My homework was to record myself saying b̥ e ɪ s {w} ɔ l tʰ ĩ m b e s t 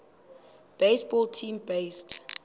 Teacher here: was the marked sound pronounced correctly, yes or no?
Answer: no